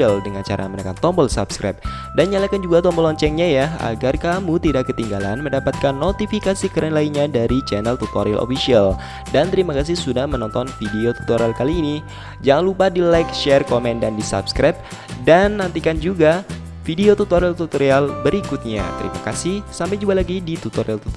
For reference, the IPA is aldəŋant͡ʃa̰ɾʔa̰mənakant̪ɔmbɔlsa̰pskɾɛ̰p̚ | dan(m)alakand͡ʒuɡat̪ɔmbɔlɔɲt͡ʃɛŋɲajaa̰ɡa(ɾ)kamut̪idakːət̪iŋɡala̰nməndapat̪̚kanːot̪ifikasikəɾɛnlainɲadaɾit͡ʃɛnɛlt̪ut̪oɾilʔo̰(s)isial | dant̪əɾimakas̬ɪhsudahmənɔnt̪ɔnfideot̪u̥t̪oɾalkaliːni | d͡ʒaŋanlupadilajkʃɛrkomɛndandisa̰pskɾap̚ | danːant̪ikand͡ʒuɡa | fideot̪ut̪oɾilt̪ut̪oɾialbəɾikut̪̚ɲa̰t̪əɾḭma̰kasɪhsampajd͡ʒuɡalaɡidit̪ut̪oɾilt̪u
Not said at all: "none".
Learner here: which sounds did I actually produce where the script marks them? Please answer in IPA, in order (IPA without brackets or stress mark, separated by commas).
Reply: ɲ, r, f